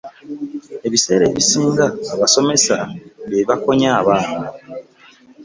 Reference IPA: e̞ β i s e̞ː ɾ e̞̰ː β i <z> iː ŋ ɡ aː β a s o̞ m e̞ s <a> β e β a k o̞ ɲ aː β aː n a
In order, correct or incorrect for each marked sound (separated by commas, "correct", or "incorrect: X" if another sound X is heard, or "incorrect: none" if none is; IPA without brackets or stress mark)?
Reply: incorrect: s, correct